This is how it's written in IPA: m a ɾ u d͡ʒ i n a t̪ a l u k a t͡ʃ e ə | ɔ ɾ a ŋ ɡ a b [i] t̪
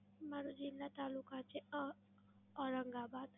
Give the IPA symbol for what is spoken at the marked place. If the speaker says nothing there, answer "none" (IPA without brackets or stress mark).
a